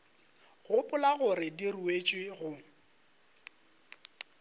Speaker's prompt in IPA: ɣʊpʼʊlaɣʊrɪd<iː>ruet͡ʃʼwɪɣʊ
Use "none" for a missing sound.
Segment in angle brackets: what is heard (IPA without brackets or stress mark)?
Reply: i